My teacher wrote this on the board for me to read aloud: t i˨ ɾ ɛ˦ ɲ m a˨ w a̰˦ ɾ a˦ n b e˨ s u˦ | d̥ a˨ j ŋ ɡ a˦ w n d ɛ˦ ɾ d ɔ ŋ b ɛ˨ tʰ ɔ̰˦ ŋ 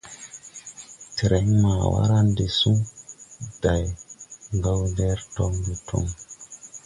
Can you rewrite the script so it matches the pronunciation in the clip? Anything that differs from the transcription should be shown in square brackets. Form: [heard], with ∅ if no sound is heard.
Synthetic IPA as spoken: t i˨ ɾ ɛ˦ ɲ m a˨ w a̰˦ ɾ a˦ n [d] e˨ s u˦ | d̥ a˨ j ŋ ɡ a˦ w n d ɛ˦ ɾ [t] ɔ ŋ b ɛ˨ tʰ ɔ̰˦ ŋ